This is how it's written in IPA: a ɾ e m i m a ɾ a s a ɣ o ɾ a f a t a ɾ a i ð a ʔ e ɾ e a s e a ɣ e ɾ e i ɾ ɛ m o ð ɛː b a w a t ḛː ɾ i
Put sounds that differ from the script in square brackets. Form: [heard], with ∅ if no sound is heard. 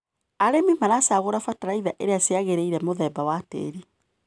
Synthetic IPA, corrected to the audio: a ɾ e m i m a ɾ a s a ɣ o ɾ a f a t a ɾ a i ð a ʔ e ɾ e a s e a ɣ e ɾ e i ɾ ɛ m o ð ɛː b a w a t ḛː ɾ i